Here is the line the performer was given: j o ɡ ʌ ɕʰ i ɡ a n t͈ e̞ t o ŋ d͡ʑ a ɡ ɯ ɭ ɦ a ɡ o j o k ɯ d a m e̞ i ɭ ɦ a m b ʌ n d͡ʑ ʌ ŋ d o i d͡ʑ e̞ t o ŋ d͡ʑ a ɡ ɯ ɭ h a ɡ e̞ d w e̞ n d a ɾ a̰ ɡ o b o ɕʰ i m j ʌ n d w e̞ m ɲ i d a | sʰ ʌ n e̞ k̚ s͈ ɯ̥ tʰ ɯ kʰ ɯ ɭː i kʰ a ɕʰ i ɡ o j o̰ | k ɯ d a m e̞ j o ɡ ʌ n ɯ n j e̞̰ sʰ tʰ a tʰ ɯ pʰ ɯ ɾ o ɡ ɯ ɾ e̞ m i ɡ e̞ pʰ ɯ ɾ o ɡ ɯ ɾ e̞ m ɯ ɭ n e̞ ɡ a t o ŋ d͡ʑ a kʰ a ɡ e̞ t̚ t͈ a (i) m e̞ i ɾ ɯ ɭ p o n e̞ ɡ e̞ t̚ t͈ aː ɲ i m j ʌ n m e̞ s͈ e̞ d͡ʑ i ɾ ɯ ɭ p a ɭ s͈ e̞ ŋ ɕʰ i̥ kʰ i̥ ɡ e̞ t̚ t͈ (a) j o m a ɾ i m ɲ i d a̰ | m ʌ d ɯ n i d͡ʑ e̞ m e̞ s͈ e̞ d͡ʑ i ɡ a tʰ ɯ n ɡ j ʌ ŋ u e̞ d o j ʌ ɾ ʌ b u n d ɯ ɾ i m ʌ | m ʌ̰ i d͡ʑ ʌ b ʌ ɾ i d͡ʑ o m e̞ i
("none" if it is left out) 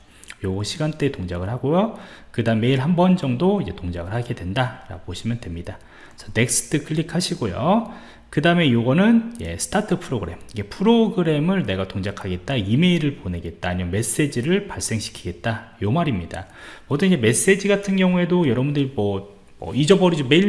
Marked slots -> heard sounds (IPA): i, a

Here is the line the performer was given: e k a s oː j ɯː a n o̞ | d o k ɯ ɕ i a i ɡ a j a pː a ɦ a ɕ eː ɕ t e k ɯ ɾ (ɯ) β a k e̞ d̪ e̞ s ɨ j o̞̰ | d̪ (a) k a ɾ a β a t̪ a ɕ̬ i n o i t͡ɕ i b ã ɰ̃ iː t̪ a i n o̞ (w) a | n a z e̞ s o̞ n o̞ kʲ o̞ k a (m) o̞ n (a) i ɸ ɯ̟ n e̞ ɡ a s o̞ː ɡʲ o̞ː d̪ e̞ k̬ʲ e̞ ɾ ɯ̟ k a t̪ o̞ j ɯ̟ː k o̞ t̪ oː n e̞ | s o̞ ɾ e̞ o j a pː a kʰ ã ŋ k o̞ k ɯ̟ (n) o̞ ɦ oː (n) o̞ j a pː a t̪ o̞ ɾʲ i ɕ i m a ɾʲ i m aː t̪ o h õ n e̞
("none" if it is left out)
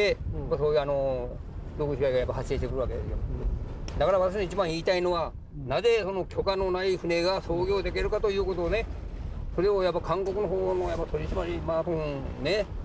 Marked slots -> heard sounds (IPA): ɯ, a, β, n, a, n, n

